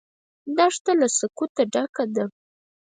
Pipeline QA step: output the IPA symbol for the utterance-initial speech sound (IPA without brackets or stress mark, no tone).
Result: d̪